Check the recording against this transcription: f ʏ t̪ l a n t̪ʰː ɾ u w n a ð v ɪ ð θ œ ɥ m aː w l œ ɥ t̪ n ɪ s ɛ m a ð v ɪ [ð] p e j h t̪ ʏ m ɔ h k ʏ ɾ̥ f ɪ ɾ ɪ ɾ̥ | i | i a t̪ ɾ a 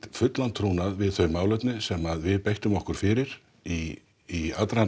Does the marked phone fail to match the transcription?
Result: no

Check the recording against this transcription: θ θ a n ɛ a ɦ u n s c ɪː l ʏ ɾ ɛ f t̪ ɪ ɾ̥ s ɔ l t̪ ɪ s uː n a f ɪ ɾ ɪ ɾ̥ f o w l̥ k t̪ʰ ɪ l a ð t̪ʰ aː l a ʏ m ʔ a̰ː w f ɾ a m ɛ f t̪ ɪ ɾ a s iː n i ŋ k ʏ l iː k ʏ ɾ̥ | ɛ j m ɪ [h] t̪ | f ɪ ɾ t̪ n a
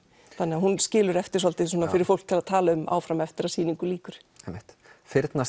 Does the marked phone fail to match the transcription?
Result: no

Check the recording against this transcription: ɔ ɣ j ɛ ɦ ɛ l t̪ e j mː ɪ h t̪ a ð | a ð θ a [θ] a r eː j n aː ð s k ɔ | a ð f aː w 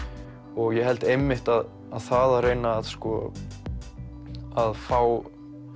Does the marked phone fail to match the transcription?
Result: yes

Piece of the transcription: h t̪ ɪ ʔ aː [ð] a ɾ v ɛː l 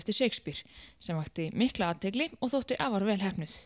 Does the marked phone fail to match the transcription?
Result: yes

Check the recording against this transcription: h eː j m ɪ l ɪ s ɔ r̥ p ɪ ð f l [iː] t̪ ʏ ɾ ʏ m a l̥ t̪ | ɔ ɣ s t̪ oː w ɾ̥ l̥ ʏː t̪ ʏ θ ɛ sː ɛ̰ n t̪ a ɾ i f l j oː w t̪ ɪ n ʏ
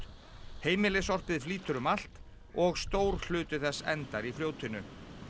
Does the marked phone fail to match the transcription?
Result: no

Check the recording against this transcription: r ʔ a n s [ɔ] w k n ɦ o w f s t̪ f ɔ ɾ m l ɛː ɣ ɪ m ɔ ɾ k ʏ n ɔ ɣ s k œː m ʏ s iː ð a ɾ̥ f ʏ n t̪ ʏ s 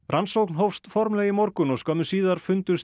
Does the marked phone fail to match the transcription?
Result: yes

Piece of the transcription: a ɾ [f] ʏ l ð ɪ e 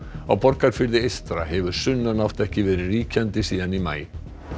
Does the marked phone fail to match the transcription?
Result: no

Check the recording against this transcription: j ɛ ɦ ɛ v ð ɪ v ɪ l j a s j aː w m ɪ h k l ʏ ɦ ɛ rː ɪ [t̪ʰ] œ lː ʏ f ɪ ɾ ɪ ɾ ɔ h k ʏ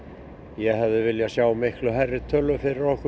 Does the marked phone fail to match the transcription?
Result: no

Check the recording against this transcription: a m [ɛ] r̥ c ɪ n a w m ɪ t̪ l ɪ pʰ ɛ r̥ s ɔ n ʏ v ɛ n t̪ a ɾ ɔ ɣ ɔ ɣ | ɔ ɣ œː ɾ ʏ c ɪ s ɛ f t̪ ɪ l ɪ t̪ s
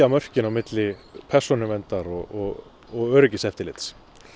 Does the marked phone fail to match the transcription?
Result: yes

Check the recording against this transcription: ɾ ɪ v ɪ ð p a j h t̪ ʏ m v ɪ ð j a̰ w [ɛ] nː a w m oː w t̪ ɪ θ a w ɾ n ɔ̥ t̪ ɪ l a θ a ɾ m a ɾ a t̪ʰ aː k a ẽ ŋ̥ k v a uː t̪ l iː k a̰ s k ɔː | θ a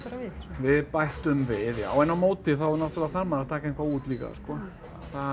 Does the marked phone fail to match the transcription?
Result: no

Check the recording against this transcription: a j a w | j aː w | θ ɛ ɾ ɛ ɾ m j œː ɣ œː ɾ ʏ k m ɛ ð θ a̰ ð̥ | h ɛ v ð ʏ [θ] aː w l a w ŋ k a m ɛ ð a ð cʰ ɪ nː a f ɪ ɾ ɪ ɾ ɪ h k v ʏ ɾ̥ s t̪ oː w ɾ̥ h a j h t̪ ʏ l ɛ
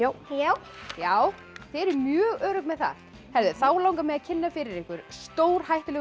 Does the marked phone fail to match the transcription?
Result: no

